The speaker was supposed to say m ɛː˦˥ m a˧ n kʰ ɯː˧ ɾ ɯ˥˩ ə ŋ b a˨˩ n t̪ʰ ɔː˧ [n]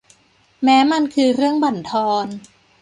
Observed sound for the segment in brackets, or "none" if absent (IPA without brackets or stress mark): n